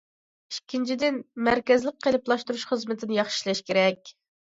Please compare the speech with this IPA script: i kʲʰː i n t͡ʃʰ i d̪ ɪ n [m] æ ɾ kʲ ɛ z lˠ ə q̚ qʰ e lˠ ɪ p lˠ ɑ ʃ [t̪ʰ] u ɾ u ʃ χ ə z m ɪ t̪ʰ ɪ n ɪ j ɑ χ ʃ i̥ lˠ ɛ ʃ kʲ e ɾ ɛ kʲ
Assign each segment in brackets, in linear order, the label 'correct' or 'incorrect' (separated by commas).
correct, incorrect